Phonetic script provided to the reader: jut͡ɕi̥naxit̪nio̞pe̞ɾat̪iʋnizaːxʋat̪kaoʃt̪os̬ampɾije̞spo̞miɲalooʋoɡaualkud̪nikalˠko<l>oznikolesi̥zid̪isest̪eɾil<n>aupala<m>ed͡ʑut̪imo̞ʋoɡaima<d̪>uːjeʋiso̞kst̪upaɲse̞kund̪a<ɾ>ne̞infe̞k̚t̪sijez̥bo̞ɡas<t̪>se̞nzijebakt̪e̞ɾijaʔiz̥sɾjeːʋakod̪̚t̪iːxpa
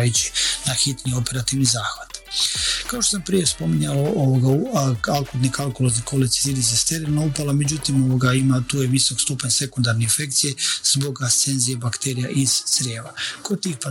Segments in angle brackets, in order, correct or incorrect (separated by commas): correct, correct, correct, incorrect, correct, correct